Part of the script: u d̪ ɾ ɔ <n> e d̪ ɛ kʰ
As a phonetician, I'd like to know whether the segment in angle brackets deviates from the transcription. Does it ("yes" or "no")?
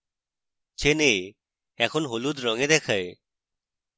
yes